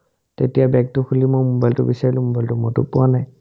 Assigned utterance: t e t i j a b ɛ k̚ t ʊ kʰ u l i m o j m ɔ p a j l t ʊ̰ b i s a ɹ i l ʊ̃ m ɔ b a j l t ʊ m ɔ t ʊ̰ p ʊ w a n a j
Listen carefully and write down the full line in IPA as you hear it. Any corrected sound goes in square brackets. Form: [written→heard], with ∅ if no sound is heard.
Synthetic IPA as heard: t e t i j a b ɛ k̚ t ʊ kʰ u l i m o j m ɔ [p→b] a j l t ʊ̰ b i s a ɹ i l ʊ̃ m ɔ b a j l t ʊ m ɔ t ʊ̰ p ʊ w a n a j